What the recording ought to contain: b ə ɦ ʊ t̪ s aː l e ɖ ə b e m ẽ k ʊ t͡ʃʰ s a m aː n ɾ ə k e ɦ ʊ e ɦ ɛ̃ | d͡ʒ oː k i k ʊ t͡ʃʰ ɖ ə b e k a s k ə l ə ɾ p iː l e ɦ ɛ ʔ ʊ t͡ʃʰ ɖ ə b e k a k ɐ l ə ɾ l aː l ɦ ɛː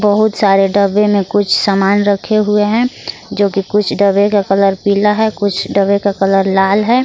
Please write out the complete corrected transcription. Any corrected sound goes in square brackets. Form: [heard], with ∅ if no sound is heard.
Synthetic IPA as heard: b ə ɦ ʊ t̪ s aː [ɾ] e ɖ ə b e m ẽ k ʊ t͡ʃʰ s a m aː n ɾ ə [kʰ] e ɦ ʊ e ɦ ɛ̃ | d͡ʒ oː k i k ʊ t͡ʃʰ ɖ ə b e k a [∅] k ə l ə ɾ p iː l [a] ɦ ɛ [k] ʊ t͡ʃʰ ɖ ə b e k a k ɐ l ə ɾ l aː l ɦ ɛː